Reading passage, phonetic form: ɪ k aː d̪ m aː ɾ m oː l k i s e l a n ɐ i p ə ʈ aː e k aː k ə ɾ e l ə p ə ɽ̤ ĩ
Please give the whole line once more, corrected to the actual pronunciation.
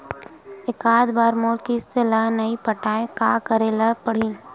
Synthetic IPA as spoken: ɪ k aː d̪ b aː ɾ m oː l k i s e l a n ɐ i p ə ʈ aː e k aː k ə ɾ e l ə p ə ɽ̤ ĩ